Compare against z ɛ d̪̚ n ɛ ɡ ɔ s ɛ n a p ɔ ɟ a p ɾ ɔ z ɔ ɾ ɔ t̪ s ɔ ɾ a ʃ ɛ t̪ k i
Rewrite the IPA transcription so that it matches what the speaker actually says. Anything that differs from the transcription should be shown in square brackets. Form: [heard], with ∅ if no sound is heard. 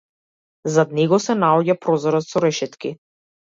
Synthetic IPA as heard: z [a] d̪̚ n ɛ ɡ ɔ s ɛ n a [∅] ɔ ɟ a p ɾ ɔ z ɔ ɾ ɔ t̪ s ɔ ɾ [ɛ] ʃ ɛ t̪ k i